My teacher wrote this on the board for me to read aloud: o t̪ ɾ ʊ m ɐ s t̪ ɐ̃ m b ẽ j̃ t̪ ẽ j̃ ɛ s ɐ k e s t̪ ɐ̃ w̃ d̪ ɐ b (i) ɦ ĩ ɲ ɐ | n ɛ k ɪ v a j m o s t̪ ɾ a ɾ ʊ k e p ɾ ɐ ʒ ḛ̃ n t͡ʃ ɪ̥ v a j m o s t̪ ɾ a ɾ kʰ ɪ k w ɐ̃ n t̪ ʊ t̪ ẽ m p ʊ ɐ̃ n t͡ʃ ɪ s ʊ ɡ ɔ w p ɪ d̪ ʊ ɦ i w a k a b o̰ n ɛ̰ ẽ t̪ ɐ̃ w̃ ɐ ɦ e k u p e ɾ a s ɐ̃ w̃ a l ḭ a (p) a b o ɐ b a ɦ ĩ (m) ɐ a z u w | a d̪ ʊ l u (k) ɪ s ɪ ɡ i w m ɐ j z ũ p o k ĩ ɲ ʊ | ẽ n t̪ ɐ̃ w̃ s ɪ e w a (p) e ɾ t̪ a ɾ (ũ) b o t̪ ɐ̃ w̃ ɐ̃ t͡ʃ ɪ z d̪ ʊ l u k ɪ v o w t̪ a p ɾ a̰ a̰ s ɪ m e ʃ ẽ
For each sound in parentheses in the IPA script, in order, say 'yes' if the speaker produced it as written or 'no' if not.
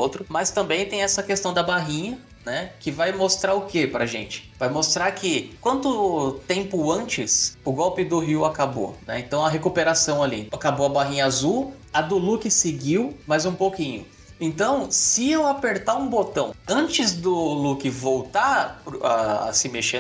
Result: no, no, no, yes, yes, yes

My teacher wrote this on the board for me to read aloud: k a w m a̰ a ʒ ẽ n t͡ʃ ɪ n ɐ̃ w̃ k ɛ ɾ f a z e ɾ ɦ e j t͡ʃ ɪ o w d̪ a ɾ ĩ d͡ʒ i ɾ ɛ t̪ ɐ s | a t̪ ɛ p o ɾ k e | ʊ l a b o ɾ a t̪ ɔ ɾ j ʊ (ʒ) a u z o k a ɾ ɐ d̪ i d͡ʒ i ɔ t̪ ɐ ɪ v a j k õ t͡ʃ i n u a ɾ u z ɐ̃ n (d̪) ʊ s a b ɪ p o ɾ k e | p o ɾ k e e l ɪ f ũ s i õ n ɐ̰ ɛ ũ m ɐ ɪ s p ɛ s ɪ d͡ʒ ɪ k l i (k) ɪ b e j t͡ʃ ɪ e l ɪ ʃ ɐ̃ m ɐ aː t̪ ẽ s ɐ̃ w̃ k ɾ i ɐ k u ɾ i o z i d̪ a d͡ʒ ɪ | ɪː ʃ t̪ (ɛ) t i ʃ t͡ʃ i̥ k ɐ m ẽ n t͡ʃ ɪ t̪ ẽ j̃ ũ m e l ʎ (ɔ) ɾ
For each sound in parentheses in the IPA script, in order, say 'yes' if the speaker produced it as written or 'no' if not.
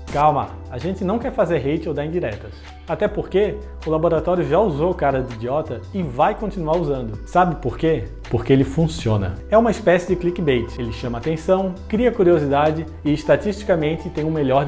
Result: yes, yes, yes, no, yes

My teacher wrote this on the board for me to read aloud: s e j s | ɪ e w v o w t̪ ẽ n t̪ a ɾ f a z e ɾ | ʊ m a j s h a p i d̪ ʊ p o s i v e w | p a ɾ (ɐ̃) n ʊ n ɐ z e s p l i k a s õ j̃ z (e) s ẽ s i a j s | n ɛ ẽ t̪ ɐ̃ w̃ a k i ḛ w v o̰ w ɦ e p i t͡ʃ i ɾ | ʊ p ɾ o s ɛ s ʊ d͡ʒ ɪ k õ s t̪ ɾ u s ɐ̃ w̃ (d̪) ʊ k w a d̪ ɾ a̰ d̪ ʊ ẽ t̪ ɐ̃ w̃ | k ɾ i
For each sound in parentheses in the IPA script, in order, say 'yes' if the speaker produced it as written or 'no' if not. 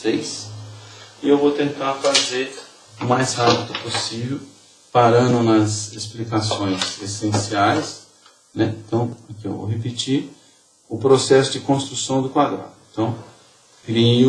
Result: yes, yes, yes

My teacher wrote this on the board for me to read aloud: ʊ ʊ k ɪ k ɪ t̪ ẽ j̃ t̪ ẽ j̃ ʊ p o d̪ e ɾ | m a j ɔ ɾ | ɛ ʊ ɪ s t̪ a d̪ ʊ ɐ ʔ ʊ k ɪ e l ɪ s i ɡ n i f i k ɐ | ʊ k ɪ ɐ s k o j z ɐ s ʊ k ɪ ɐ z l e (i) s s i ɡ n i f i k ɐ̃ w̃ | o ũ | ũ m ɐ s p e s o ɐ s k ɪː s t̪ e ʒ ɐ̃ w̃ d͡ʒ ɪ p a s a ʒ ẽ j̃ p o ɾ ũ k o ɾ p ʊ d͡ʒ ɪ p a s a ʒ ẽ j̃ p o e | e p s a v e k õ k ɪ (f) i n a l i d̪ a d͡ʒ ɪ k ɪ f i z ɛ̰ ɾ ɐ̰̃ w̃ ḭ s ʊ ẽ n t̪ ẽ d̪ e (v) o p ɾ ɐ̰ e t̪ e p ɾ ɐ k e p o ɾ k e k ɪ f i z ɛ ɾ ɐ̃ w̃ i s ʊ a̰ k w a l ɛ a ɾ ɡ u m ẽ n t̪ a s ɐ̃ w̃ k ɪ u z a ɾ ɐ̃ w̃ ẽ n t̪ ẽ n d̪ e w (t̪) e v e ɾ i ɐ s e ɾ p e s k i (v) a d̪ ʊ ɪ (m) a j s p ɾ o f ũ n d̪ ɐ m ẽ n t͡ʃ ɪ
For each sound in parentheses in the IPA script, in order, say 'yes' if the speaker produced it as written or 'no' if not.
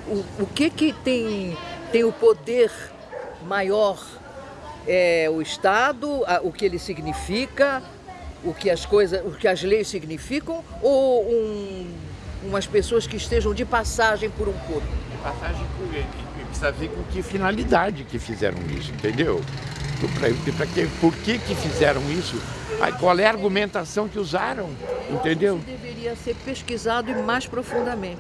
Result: no, yes, no, no, no, yes

